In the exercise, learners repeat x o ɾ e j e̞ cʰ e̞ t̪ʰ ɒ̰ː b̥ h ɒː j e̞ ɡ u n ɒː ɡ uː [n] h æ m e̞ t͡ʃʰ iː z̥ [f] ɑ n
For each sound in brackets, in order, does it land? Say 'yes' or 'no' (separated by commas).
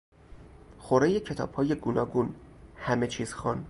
yes, no